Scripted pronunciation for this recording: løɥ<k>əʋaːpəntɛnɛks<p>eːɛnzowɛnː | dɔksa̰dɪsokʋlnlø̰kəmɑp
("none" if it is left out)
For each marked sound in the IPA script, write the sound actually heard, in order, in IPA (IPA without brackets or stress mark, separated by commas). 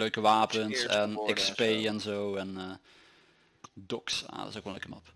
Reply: k, p